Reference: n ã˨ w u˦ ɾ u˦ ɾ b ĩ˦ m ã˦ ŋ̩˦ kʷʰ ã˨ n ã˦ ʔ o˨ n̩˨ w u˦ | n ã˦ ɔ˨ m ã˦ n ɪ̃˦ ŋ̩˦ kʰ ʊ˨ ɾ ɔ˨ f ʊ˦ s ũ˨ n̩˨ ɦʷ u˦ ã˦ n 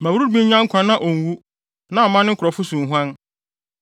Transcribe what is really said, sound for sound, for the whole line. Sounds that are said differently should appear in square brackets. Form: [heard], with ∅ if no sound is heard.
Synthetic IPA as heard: [m] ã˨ w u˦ ɾ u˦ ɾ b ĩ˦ [ɲ] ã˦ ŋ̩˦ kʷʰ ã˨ n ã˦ ʔ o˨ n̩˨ w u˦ | n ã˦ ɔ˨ m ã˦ n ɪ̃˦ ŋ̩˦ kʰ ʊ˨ ɾ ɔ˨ f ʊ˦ s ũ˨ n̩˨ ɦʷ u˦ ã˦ n